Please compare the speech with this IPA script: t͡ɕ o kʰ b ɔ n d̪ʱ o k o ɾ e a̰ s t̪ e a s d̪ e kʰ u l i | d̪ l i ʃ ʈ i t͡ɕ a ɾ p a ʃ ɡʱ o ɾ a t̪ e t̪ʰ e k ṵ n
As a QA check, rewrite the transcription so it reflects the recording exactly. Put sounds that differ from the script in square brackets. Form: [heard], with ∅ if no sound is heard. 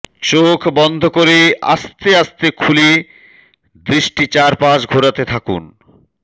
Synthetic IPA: t͡ɕ o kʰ b ɔ n d̪ʱ o k o ɾ e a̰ s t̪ e a s [t̪] e kʰ u l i | d̪ [ɾ] i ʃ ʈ i t͡ɕ a ɾ p a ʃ ɡʱ o ɾ a t̪ e t̪ʰ [a] k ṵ n